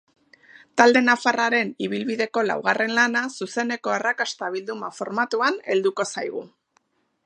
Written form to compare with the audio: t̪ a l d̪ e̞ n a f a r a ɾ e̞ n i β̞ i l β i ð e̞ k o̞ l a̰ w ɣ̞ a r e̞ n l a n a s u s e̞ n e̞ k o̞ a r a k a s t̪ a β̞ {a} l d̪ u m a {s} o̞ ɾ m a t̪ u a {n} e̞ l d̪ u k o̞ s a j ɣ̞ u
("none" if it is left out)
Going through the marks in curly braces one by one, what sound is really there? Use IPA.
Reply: i, f, n

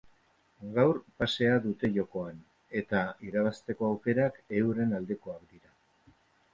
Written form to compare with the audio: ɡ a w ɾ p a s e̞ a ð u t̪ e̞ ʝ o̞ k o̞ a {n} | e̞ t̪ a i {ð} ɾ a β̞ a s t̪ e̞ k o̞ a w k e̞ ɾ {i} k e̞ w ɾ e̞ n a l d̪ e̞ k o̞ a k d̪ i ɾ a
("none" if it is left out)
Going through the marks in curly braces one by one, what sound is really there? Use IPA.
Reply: n, none, a

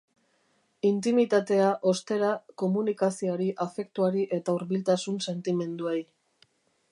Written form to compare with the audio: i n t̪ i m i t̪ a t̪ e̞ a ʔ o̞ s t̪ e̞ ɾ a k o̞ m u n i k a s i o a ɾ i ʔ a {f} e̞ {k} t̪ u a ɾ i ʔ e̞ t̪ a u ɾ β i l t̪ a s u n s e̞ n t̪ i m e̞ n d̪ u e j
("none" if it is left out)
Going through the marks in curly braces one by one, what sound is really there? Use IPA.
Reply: f, k

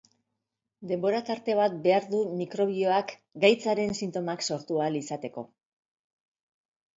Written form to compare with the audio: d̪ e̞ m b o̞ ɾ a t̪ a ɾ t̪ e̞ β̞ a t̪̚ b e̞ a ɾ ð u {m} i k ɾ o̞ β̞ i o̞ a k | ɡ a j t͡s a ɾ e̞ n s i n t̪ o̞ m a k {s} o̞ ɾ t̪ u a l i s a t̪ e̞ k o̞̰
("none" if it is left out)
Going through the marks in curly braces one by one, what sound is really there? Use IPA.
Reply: m, s

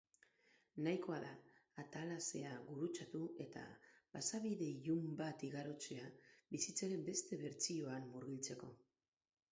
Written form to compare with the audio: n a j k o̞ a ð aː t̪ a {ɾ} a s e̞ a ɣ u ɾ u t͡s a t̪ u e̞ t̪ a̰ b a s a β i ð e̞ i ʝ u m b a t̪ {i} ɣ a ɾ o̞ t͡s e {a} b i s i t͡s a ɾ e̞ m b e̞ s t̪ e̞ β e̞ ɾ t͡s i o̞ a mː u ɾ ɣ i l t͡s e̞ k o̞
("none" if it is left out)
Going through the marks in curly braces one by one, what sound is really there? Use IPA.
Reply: l, i, a

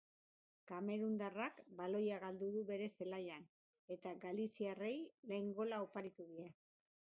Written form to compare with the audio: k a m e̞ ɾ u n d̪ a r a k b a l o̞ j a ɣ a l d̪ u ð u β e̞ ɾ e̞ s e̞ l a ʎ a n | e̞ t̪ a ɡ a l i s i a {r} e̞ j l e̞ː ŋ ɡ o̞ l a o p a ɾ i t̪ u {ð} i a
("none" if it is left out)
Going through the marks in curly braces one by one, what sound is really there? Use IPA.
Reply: r, ð

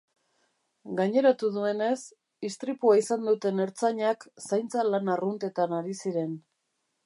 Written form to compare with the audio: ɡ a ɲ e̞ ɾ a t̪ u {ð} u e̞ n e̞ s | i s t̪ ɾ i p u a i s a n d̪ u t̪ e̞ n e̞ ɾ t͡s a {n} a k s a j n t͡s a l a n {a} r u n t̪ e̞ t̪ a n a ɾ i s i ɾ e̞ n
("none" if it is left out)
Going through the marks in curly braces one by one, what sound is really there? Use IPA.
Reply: ð, ɲ, a

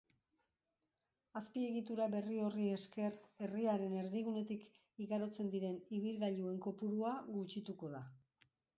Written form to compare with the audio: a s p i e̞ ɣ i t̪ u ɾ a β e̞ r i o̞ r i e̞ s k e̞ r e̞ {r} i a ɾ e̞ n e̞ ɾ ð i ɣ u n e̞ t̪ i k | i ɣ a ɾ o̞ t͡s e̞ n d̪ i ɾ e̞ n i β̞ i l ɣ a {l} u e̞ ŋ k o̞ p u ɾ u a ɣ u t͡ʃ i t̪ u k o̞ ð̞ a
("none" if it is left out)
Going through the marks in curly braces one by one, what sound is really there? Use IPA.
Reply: r, ʎ

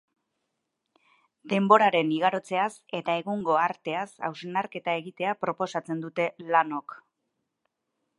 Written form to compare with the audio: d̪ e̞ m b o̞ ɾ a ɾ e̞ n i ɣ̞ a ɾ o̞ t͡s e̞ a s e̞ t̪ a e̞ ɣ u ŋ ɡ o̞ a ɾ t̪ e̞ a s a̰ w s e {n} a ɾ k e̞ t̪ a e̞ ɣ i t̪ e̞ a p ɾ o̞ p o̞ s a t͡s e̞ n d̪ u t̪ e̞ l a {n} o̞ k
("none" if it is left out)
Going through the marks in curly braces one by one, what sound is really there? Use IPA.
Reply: n, n

